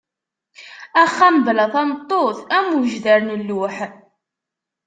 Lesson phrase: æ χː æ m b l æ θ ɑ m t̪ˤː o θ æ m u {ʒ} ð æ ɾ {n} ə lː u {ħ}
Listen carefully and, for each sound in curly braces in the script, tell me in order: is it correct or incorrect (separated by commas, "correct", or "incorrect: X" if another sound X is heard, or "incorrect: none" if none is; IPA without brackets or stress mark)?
correct, correct, correct